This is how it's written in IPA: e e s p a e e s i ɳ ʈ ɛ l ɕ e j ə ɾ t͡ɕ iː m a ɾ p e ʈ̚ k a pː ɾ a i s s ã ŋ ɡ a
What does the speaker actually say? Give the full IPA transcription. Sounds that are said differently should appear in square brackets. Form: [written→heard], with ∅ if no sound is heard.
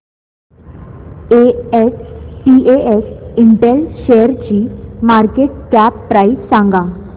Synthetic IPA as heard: e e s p [a→i] e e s i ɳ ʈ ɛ l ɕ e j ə ɾ t͡ɕ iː m a ɾ [p→k] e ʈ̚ k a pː ɾ a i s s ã ŋ ɡ a

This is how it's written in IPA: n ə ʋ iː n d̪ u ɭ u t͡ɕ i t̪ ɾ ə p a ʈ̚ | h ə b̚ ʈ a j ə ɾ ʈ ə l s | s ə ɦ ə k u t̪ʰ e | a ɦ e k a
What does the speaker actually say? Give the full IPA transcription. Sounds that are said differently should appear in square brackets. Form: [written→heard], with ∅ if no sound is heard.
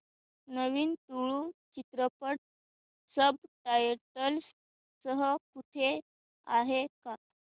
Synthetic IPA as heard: n ə ʋ iː n [d̪→t̪] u ɭ u t͡ɕ i t̪ ɾ ə p [a→ə] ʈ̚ | [h→s] ə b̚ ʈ a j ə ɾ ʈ ə l s | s ə ɦ ə k u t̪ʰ e | a ɦ e k a

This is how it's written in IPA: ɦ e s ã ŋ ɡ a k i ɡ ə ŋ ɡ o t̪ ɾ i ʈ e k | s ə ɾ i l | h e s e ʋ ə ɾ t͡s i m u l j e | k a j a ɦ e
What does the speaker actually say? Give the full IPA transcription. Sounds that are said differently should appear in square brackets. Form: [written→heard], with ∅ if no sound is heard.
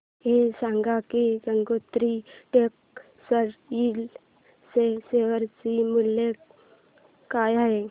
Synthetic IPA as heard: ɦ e s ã ŋ ɡ a k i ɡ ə ŋ ɡ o t̪ ɾ i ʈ e k | s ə ɾ i l | [h→s] e s e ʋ ə ɾ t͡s i m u l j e | k a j a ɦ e

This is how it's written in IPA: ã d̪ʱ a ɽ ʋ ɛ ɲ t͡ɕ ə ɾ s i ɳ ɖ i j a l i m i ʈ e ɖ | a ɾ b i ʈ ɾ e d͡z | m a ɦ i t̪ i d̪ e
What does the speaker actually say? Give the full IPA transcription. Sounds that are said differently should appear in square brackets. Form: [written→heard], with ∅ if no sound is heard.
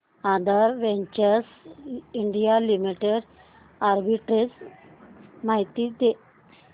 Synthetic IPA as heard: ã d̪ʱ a [ɽ→ɾ] ʋ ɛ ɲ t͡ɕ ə ɾ s i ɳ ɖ i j a l i m i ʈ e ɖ | a ɾ b i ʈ ɾ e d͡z | m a ɦ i t̪ i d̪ e

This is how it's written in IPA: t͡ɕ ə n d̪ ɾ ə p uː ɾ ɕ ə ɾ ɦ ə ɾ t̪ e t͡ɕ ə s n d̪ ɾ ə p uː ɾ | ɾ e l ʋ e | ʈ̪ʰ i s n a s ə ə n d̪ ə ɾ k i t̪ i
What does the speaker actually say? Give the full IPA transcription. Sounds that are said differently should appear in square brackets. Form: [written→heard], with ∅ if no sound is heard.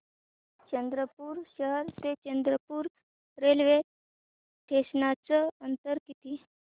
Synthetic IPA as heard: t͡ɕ ə n d̪ ɾ ə p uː ɾ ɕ ə [ɾ→∅] ɦ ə ɾ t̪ e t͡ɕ ə [s→∅] n d̪ ɾ ə p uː ɾ | ɾ e l ʋ e | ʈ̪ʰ [i→e] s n a [s→t͡s] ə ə n [d̪→t̪] ə ɾ k i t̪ i

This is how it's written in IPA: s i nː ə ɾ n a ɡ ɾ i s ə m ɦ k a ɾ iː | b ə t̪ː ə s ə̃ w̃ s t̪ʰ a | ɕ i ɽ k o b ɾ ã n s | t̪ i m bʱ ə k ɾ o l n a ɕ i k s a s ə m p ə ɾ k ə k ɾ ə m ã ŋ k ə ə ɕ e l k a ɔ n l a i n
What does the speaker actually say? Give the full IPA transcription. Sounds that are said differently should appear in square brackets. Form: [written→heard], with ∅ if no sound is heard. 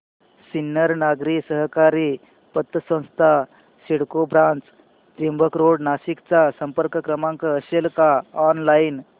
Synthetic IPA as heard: s i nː ə ɾ n a ɡ ɾ i s ə [m→∅] ɦ k a ɾ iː | [b→p] ə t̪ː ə s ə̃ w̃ s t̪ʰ a | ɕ i ɽ k o b ɾ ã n [s→t͡s] | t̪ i m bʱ ə k ɾ o [l→ɽ] n a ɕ i k [s→t͡s] a s ə m p ə ɾ k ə k ɾ ə m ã ŋ k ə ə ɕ e l k a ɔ n l a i n

